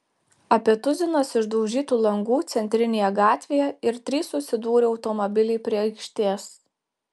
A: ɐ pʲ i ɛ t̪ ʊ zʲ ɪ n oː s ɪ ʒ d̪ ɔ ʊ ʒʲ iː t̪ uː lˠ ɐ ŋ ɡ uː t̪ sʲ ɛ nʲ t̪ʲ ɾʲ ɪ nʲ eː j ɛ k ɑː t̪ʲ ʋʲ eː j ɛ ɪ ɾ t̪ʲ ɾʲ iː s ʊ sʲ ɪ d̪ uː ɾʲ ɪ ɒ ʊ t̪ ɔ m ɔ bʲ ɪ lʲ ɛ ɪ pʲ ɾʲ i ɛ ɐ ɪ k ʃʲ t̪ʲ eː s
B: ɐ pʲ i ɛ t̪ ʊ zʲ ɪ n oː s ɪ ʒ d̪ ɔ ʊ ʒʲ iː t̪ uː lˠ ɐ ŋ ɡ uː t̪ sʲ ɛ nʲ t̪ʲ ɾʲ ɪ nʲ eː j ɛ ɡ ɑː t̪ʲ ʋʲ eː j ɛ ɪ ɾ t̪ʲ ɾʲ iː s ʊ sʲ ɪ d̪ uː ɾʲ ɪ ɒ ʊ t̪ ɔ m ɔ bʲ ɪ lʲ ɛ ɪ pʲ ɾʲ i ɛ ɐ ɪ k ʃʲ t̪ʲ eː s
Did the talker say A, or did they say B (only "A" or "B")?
B